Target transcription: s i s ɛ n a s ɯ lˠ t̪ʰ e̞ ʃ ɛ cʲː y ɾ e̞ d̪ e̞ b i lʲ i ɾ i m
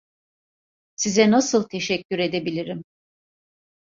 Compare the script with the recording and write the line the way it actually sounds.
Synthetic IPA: s i z ɛ n a s ɯ lˠ t̪ʰ e̞ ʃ ɛ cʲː y ɾ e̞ d̪ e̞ b i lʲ i ɾ i m

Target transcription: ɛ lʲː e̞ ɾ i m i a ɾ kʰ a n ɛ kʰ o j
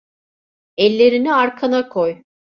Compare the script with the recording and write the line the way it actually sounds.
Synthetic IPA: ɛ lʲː e̞ ɾ i n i a ɾ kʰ a n a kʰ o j

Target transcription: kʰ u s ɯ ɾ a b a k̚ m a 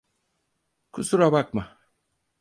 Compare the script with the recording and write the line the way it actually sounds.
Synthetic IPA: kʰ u s u ɾ a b a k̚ m a

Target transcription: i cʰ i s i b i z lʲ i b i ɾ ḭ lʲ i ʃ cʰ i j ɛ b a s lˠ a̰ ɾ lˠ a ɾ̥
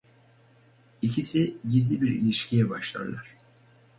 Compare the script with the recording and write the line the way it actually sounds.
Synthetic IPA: i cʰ i s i ɟ i z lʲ i b i ɾ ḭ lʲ i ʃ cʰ i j ɛ b a ʃ lˠ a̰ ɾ lˠ a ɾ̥

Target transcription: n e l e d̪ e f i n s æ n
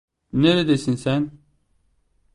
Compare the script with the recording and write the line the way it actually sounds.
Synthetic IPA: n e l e d̪ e s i n s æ n

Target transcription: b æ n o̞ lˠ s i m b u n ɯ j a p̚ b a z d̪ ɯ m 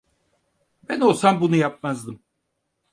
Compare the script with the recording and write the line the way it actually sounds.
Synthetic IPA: b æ n o̞ lˠ s a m b u n u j a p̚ m a z d̪ ɯ m

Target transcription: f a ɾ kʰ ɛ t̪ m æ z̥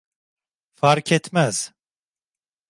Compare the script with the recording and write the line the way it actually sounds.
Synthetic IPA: f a ɾ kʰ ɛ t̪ m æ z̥

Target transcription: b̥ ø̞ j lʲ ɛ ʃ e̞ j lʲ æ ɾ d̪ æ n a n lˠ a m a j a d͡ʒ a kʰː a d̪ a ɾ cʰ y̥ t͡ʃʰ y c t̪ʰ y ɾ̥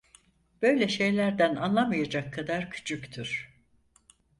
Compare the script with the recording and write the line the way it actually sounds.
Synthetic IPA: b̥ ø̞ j lʲ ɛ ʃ e̞ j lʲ æ ɾ d̪ æ n a n lˠ a m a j a d͡ʒ a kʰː a d̪ a ɾ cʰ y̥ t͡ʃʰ y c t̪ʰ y ɾ̥

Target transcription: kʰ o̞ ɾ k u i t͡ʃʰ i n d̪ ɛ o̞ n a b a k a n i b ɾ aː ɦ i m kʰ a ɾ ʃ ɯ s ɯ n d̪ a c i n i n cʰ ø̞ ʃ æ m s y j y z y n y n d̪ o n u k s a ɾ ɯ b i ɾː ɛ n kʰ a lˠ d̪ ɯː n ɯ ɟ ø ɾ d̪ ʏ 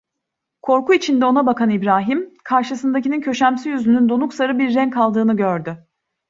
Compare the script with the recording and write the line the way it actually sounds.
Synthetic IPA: kʰ o̞ ɾ k u i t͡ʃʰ i n d̪ ɛ o̞ n a b a k a n i b ɾ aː ɦ i m kʰ a ɾ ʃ ɯ s ɯ n d̪ a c i n i n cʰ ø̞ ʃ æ m s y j y z y n y n d̪ o n u k s a ɾ ɯ b i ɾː ɛ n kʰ a lˠ d̪ ɯː n ɯ ɟ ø ɾ d̪ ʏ

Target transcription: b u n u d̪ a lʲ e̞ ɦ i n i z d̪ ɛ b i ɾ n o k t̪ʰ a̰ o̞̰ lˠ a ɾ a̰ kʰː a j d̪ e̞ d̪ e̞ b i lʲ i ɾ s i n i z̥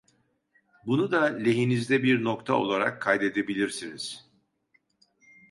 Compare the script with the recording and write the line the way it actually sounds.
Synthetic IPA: b u n u d̪ a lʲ e̞ ɦ i n i z d̪ ɛ b i ɾ n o k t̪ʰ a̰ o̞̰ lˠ a ɾ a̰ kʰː a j d̪ e̞ d̪ e̞ b i lʲ i ɾ s i n i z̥

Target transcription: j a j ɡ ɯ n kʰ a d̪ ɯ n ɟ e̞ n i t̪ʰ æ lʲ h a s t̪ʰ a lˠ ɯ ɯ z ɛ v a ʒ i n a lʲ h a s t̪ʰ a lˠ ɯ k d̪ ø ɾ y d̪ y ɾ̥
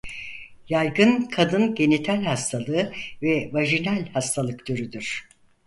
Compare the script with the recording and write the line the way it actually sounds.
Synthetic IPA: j a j ɡ ɯ n kʰ a d̪ ɯ n ɟ e̞ n i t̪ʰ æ lʲ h a s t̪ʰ a lˠ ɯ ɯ v ɛ v a ʒ i n æ lʲ h a s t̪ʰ a lˠ ɯ k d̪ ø ɾ y d̪ y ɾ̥

